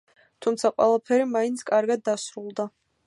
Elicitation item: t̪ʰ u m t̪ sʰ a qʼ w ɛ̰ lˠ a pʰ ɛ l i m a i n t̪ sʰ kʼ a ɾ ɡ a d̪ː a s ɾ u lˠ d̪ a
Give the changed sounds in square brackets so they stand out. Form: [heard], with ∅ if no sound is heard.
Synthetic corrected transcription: t̪ʰ u m t̪ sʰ a qʼ w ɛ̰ lˠ a pʰ ɛ [ɾ] i m a i n t̪ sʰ kʼ a ɾ ɡ a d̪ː a s ɾ u lˠ d̪ a